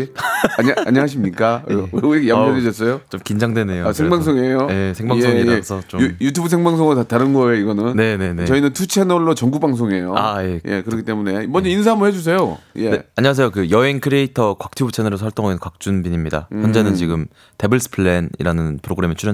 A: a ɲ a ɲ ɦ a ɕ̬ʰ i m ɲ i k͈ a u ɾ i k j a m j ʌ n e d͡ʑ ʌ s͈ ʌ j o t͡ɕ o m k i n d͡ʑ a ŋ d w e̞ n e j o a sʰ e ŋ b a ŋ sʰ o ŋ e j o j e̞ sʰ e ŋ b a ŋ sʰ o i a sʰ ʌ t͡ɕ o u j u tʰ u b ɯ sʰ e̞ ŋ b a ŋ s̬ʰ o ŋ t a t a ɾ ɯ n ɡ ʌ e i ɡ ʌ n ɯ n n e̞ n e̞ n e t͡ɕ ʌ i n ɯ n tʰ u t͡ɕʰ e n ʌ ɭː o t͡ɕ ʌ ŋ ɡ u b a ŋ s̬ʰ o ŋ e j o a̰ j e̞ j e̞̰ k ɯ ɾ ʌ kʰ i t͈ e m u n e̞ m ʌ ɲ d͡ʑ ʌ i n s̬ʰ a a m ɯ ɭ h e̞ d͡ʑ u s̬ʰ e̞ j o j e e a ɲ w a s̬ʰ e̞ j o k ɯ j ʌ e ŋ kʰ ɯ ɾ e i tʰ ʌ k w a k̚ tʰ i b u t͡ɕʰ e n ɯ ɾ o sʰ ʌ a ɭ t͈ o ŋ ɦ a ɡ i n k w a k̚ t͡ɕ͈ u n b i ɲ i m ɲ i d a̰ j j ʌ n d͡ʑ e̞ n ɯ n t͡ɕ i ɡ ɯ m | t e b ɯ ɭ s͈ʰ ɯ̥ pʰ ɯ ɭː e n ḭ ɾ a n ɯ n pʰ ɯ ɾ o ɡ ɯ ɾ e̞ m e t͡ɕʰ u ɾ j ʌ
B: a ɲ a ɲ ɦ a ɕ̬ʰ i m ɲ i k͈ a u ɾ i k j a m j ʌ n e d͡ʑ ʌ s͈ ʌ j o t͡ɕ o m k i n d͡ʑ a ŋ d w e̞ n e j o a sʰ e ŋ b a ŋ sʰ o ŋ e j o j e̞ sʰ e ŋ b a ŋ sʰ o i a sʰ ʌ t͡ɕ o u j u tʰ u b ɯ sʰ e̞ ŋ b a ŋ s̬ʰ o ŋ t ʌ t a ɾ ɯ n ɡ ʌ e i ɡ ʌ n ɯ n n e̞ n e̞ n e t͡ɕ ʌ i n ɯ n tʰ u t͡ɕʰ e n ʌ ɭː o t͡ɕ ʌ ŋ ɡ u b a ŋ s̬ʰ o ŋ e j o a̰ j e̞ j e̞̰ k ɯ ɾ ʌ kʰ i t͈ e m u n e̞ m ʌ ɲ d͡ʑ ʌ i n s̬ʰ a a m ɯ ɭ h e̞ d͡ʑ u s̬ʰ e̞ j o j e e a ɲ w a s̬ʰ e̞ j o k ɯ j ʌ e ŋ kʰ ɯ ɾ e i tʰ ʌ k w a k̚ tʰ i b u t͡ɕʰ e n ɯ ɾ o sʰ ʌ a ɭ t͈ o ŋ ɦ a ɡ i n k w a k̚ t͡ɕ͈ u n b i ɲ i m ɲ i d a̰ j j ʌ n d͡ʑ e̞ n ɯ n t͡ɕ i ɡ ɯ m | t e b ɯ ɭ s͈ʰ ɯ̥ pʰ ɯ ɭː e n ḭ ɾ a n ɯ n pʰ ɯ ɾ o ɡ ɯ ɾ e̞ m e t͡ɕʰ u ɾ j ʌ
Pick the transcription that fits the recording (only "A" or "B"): A